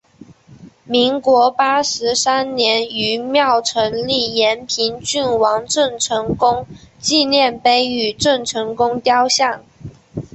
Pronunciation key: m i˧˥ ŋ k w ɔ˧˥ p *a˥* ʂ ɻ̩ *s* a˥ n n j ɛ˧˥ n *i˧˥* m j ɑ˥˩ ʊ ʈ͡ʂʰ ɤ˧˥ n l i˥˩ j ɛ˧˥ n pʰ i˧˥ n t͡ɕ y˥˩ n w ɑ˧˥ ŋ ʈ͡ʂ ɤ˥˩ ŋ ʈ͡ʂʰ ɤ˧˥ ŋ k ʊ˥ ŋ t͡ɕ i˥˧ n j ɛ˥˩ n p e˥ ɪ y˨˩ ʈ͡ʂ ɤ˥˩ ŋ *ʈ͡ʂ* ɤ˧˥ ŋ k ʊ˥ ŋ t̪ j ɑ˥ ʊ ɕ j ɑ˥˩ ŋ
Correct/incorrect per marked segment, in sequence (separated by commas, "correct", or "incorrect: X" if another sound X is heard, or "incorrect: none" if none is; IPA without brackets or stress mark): correct, correct, incorrect: y˧˥, incorrect: ʈ͡ʂʰ